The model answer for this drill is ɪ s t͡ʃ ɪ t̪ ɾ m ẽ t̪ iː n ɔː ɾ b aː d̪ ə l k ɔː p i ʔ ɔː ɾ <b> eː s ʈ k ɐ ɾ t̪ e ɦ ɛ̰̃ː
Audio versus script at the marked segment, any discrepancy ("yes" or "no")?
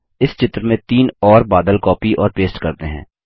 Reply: yes